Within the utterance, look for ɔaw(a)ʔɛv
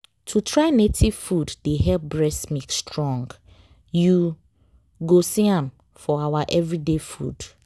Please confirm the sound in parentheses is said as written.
yes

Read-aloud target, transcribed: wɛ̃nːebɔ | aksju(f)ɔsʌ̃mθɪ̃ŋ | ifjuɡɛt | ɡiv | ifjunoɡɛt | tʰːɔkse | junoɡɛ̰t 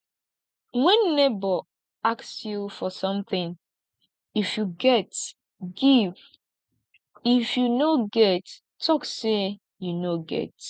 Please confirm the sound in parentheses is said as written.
yes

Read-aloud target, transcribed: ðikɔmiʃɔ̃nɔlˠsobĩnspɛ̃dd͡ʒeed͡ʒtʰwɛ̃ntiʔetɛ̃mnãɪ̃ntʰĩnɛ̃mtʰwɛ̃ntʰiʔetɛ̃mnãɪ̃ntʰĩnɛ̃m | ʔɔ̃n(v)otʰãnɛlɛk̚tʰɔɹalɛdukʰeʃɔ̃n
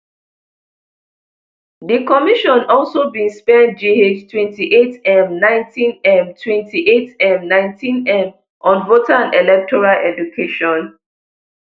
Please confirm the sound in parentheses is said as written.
yes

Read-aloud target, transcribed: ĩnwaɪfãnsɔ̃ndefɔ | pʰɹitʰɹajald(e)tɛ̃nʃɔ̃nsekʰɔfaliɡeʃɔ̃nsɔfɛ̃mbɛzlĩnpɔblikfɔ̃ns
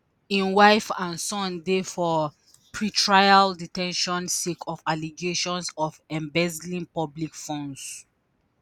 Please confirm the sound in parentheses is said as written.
no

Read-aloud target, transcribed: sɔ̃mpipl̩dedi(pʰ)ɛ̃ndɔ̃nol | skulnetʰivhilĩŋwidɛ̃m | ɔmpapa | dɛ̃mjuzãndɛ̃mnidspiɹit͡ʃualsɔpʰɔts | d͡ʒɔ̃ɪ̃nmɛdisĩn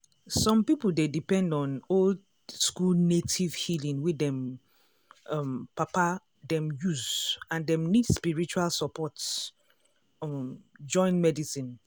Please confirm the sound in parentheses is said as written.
no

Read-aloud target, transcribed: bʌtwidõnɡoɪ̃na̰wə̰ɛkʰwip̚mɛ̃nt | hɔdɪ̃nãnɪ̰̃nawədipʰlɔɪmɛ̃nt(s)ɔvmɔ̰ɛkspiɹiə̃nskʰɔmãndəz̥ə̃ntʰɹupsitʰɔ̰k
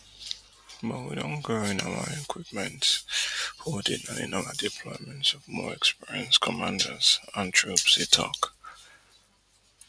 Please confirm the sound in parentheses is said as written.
yes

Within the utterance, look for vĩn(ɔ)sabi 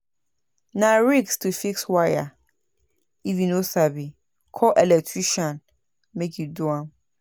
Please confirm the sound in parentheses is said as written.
no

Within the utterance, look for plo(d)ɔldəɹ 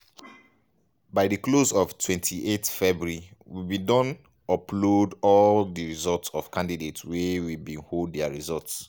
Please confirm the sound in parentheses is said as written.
yes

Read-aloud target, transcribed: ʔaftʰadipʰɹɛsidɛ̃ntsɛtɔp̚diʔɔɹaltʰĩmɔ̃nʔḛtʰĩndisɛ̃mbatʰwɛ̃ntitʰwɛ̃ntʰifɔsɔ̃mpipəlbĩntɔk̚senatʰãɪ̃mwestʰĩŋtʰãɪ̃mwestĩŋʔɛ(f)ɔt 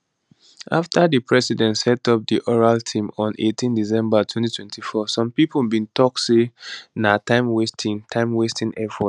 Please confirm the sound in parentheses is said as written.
yes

